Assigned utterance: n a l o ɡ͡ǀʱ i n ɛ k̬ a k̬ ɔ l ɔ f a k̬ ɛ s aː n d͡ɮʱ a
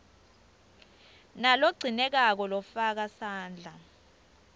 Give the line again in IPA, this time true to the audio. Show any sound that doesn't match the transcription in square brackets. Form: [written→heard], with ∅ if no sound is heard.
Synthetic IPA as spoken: n a l o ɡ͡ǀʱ i n ɛ k̬ a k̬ ɔ l ɔ f a k̬ [ɛ→a] s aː n d͡ɮʱ a

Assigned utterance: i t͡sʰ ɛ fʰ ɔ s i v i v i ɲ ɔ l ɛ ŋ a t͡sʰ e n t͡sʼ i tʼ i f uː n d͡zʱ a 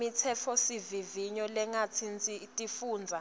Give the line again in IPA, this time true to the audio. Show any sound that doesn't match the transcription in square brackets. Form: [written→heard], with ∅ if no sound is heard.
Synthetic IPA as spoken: i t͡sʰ ɛ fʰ ɔ s i v i v i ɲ ɔ l ɛ ŋ a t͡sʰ [e→i] n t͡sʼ i tʼ i f uː n d͡zʱ a

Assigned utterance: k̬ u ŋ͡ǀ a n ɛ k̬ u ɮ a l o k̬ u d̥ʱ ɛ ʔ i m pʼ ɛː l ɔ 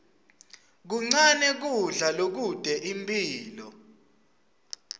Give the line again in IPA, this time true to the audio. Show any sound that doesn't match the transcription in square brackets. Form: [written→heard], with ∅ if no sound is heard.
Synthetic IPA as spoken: k̬ u ŋ͡ǀ a n ɛ k̬ u ɮ a l o k̬ u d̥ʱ ɛ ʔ i m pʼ [ɛː→iː] l ɔ

